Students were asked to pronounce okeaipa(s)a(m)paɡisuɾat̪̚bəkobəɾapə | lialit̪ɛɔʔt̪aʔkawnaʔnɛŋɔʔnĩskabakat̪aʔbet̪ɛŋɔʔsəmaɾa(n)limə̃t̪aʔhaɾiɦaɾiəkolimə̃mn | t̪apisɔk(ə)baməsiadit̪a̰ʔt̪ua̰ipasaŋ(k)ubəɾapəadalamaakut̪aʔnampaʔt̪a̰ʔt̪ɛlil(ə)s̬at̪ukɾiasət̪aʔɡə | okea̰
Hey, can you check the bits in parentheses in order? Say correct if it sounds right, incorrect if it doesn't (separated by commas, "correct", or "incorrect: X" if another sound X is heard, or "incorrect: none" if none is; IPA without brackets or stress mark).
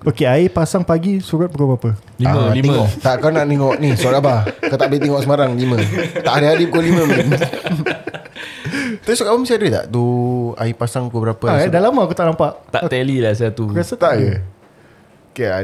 correct, incorrect: ŋ, incorrect: ŋ, incorrect: a, correct, incorrect: a